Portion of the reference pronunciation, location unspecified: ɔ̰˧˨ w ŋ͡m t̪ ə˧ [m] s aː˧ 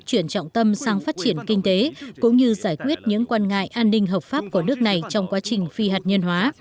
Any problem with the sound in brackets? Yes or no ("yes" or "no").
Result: no